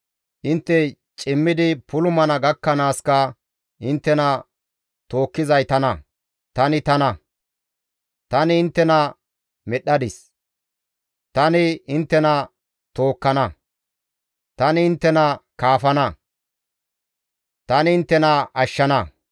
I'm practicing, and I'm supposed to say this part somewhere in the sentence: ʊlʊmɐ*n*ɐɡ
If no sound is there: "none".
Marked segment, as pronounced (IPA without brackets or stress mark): n